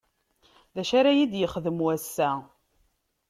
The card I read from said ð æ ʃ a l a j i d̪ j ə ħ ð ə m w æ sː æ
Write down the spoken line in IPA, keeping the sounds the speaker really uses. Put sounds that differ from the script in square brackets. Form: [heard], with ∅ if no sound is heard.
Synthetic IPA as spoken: ð æ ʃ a [ɾ] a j i d̪ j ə [χ] ð ə m w æ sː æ